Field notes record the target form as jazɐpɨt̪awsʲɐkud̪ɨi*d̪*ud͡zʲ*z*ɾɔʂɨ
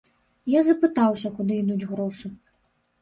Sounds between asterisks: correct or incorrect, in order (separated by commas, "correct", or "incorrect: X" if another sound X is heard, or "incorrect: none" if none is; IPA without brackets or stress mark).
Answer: correct, incorrect: ɣ